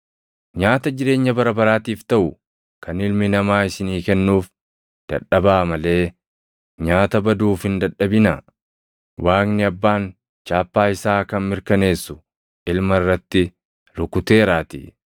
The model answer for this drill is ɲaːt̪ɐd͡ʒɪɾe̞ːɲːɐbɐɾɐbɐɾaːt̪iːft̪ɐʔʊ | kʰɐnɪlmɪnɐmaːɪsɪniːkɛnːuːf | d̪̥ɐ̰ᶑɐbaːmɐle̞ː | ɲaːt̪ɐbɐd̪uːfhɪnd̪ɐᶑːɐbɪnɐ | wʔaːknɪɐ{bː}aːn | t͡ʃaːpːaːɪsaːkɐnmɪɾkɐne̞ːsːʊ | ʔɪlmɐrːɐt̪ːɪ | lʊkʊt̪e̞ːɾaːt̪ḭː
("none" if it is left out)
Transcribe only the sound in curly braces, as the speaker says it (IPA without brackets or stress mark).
bː